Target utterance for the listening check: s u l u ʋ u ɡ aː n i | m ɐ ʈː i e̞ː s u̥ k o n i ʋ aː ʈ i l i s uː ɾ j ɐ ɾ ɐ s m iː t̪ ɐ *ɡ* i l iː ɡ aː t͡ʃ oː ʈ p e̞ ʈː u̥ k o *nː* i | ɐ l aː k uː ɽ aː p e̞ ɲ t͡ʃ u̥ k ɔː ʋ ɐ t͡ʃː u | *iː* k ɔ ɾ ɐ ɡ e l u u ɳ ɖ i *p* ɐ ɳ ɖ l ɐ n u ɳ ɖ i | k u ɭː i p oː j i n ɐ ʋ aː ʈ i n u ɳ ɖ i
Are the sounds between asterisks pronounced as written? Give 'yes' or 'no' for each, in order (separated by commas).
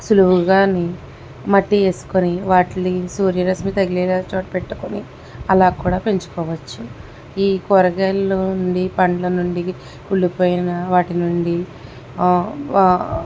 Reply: yes, no, yes, yes